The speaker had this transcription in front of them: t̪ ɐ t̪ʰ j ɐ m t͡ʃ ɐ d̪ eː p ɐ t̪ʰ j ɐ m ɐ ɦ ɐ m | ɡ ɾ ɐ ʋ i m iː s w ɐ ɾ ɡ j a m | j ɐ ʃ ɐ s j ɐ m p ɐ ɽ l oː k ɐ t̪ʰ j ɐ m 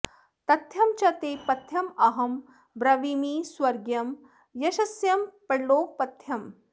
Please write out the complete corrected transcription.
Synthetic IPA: t̪ ɐ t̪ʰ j ɐ m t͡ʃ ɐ t̪ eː p ɐ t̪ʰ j ɐ m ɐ ɦ ɐ m | b ɾ ɐ ʋ i m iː s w ɐ ɾ ɡ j ɐ m | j ɐ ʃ ɐ s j ɐ m p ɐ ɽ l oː p ɐ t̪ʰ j ɐ m